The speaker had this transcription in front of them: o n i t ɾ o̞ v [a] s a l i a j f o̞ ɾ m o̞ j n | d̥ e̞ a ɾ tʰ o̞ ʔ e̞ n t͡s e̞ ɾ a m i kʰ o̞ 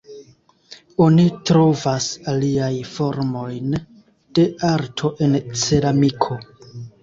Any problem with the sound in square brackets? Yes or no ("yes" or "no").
no